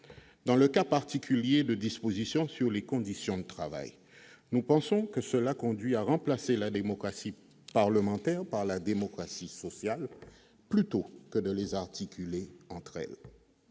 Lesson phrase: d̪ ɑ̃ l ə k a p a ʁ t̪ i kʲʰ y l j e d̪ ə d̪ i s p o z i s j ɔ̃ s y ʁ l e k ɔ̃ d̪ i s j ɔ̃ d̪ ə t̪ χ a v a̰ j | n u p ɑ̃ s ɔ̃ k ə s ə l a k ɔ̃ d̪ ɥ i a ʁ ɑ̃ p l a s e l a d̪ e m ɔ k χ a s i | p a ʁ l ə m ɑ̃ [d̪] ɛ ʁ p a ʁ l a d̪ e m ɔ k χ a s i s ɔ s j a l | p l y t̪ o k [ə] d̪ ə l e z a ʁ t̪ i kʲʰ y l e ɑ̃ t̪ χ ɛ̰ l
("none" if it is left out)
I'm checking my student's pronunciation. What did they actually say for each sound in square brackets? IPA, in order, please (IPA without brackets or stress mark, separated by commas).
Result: t̪, ə